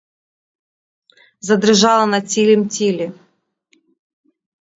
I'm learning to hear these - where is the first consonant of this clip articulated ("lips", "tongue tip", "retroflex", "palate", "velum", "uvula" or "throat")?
tongue tip